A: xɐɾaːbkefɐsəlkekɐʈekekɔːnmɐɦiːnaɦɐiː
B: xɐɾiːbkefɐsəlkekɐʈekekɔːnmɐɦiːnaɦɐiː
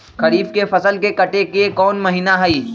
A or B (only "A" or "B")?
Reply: B